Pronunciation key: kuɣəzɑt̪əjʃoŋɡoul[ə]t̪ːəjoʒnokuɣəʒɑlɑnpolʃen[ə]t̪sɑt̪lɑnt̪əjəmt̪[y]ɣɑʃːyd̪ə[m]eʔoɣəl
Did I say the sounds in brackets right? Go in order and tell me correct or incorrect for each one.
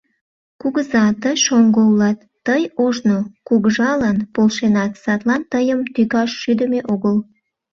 incorrect: ɑ, incorrect: ɑ, correct, correct

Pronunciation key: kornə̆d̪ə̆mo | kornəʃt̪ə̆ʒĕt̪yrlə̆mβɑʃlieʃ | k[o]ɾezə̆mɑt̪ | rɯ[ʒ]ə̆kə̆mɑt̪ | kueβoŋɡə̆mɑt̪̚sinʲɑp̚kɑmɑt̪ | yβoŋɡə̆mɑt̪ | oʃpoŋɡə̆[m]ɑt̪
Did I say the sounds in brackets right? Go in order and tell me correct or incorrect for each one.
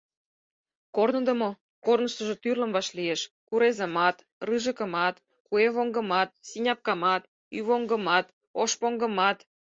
incorrect: u, correct, correct

